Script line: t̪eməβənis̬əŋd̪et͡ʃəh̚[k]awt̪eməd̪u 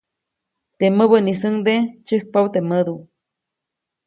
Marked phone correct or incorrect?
incorrect